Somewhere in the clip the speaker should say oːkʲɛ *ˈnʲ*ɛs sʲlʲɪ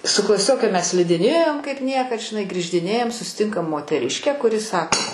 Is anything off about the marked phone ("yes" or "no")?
yes